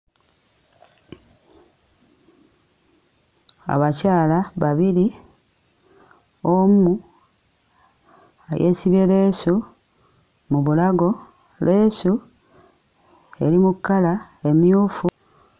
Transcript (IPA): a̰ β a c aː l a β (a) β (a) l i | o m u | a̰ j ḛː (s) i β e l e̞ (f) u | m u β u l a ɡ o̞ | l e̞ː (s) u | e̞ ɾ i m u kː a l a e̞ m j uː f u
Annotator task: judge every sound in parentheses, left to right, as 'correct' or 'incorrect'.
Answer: correct, incorrect, correct, incorrect, correct

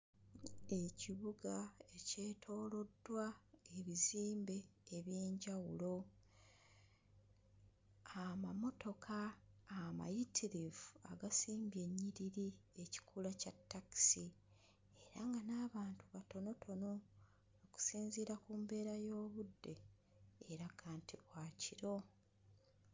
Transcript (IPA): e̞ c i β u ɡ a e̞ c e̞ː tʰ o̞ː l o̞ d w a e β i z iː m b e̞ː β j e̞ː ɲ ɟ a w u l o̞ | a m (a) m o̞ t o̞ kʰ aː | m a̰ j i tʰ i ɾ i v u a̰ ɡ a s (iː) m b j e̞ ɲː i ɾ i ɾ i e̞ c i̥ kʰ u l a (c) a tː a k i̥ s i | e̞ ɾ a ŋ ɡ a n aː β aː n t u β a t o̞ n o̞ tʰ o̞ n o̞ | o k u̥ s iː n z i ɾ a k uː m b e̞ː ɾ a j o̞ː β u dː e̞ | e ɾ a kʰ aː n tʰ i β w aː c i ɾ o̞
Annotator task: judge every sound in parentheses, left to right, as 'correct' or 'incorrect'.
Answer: correct, correct, correct

